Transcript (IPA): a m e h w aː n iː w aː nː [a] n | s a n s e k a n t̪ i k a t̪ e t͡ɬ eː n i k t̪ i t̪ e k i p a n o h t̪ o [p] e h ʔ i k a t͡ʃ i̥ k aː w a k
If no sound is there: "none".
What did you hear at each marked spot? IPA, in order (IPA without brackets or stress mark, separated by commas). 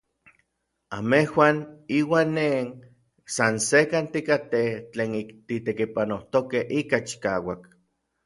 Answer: e, k